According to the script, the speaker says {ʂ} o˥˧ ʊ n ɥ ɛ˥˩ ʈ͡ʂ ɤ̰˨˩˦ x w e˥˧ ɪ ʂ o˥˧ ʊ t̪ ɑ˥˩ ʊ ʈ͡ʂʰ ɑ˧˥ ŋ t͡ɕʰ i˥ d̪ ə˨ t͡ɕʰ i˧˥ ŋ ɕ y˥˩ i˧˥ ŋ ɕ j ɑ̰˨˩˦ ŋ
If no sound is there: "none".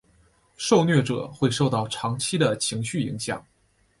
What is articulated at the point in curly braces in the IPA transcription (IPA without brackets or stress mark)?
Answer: ʂ